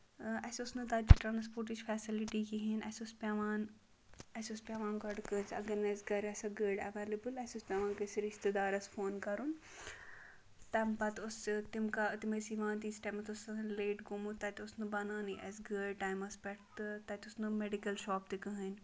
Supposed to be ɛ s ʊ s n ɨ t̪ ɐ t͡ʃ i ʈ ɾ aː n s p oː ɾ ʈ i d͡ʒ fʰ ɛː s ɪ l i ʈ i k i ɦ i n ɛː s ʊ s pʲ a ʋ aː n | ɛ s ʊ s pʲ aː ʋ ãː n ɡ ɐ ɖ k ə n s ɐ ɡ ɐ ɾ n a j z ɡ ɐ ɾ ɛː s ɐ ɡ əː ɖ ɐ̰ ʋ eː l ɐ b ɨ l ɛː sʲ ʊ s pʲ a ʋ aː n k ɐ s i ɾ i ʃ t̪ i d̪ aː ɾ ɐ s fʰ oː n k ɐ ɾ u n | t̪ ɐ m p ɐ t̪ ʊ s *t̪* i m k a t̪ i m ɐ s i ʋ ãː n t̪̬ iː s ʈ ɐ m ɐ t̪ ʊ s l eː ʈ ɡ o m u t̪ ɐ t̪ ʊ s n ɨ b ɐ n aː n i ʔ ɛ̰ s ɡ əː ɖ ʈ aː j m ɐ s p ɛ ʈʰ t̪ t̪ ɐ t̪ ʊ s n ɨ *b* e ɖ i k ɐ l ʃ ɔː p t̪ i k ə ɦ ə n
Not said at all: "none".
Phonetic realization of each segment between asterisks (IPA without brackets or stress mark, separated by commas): t̪, m